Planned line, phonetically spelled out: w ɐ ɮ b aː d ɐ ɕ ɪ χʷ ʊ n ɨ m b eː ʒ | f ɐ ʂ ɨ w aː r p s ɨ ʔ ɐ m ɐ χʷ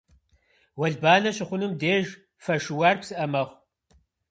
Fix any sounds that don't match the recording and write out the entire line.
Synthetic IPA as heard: w ɐ ɮ b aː n ɐ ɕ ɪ χʷ ʊ n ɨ m d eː ʒ | f ɐ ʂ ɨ w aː r p s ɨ ʔ ɐ m ɐ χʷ